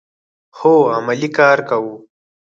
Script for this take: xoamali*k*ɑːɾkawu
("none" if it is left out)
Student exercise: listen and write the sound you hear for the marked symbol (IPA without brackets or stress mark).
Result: k